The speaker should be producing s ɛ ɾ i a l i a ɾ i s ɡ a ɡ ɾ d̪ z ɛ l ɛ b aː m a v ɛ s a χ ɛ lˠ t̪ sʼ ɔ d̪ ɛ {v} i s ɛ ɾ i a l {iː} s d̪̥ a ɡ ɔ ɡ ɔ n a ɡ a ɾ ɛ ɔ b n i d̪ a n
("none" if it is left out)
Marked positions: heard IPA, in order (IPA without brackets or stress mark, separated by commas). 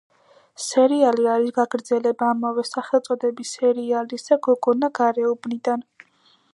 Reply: b, i